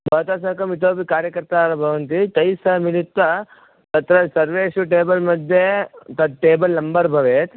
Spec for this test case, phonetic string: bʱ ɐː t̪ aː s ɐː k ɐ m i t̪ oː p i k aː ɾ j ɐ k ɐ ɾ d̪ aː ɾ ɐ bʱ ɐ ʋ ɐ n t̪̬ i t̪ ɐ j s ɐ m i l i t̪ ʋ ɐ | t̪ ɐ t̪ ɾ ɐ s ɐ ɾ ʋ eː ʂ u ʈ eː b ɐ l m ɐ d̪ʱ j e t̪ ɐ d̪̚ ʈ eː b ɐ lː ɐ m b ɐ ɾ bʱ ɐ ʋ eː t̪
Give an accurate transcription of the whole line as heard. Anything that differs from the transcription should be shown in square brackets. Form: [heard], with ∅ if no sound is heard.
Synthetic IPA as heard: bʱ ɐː t̪ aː s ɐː k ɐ m i t̪ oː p i k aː ɾ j ɐ k ɐ ɾ [t̪] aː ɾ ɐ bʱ ɐ ʋ ɐ n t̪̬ i t̪ ɐ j s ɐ m i l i t̪ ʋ ɐ | t̪ ɐ t̪ ɾ ɐ s ɐ ɾ ʋ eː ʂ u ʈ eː b ɐ l m ɐ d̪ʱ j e t̪ ɐ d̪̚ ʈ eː b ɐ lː ɐ m b ɐ ɾ bʱ ɐ ʋ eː t̪